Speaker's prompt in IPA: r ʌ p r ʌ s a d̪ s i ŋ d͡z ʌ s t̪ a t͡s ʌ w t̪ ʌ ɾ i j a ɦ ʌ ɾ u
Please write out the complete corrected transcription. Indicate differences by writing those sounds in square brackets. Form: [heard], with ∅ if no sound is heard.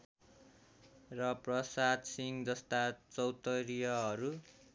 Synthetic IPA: r ʌ p r ʌ s a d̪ s i ŋ d͡z ʌ s t̪ a t͡s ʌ w t̪ ʌ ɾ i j [ʌ] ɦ ʌ ɾ u